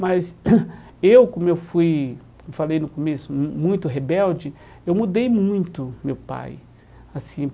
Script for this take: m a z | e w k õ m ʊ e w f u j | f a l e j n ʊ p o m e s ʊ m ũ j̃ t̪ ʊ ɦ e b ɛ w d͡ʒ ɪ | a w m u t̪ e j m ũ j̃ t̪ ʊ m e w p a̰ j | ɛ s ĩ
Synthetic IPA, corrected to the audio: m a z | e w k õ m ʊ e w f u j | f a l e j n ʊ k o m e s ʊ m ũ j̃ t̪ ʊ ɦ e b ɛ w d͡ʒ ɪ | e w m u d̪ e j m ũ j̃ t̪ ʊ m e w p a̰ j | a s ĩ